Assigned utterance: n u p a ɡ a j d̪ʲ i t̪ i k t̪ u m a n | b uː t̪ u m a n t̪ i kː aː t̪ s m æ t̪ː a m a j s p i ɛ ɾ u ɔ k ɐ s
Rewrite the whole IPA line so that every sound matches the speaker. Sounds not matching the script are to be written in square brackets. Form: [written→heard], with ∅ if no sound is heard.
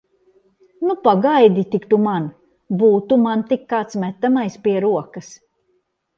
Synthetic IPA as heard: n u p a ɡ a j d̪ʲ i t̪ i k t̪ u m a n | b uː t̪ u m a n t̪ i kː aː t̪ s m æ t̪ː a m a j s p i ɛ ɾ u ɔ k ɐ s